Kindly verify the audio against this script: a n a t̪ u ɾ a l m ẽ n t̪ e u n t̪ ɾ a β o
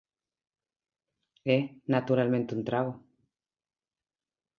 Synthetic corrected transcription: e n a t̪ u ɾ a l m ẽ n t̪ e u n t̪ ɾ a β o